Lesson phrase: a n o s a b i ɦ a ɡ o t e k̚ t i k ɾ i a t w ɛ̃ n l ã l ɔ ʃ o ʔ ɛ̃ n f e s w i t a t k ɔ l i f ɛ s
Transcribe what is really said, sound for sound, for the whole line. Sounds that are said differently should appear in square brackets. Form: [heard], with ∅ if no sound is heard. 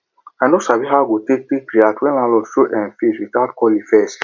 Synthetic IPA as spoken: a n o s a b i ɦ a ɡ o t e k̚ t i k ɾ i a t w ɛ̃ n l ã l ɔ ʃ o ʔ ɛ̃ n f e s w i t a t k ɔ l i f ɛ s